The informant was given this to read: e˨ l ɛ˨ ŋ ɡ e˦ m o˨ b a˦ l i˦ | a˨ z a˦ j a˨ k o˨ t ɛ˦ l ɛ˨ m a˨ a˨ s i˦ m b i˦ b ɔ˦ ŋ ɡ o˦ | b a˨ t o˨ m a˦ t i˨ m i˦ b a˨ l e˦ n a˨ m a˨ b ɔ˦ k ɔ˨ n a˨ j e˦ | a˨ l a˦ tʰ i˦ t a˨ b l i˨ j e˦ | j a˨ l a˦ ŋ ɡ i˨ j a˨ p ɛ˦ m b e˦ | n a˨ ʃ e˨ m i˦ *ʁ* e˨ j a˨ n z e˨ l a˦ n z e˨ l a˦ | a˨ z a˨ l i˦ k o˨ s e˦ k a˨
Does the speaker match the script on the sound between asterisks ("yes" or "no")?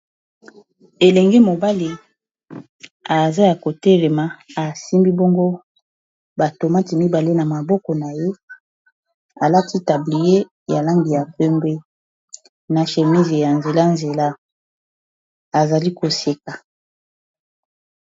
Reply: no